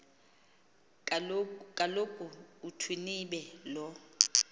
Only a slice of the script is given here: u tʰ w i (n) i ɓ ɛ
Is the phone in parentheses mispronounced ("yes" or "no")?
no